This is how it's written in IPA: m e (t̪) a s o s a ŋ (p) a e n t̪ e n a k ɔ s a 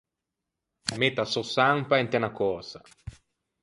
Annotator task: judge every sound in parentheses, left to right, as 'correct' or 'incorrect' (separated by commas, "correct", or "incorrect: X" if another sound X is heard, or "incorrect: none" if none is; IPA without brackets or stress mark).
correct, correct